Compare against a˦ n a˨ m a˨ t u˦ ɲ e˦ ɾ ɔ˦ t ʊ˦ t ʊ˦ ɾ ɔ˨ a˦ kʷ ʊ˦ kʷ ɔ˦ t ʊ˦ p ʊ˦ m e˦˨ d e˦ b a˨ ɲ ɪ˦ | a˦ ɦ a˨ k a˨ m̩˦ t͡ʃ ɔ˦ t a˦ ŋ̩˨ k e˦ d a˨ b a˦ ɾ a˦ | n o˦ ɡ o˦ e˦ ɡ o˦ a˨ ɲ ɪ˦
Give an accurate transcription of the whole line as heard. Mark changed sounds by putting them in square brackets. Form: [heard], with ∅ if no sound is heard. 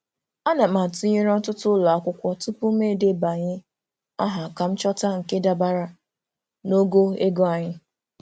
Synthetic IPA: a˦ n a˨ m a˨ t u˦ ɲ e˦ ɾ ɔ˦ t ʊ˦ t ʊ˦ [l] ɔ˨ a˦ kʷ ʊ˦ kʷ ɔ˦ t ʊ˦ p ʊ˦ m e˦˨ d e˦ b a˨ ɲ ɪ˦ | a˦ ɦ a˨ k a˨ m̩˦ t͡ʃ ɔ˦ t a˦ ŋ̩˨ k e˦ d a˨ b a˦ ɾ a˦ | n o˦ ɡ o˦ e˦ ɡ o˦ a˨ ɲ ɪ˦